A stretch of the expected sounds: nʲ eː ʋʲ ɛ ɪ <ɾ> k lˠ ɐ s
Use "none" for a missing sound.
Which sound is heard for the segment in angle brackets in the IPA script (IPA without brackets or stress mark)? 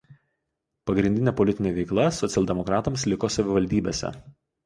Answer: none